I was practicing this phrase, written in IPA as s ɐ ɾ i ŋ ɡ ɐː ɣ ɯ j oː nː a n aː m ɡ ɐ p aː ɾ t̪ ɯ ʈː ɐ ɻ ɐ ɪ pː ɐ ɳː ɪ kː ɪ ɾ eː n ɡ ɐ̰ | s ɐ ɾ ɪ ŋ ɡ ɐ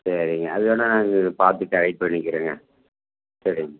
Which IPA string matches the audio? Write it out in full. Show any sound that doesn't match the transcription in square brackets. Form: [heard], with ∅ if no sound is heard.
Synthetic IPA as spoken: s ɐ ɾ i ŋ ɡ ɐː [ð] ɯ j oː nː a n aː [ŋ] ɡ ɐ p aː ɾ t̪ ɯ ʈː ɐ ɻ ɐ ɪ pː ɐ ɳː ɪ kː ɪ ɾ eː [ŋ] ɡ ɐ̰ | s ɐ ɾ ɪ ŋ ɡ ɐ